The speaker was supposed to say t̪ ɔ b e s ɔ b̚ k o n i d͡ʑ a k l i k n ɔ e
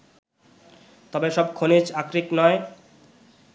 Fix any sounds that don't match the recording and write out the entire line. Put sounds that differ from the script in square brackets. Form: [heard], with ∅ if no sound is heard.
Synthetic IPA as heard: t̪ ɔ b e [ʃ] ɔ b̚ [kʰ] o n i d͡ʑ a k [ɾ] i k n ɔ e